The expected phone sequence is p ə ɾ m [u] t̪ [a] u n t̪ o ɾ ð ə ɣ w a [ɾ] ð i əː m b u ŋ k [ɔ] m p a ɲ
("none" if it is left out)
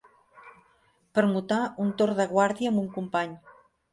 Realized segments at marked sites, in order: u, a, ɾ, u

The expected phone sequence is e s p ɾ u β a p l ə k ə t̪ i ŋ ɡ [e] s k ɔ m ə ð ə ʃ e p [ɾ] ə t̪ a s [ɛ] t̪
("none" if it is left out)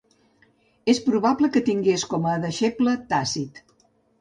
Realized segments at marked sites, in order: e, l, i

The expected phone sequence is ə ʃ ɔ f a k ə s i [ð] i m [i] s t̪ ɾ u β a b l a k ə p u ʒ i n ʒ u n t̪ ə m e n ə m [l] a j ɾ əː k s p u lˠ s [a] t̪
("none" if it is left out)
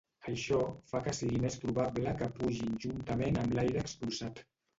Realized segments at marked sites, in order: ɣ, e, l, a

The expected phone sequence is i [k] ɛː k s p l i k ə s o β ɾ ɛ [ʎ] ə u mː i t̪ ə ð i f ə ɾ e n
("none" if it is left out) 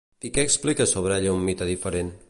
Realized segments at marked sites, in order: k, ʎ

